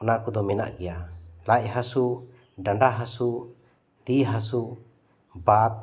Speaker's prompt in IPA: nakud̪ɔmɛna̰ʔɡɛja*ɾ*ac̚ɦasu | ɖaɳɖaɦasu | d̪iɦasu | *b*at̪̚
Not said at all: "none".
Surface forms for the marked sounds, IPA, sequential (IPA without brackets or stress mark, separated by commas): l, b